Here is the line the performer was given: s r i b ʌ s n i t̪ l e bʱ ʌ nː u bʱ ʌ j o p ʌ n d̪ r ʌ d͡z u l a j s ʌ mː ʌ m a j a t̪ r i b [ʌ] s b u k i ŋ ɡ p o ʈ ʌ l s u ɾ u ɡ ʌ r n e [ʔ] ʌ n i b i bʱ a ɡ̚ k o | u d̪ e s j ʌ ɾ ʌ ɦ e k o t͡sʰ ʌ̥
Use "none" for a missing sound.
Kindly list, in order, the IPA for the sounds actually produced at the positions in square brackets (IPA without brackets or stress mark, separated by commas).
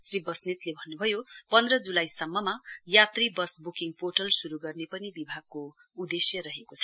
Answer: ʌ, p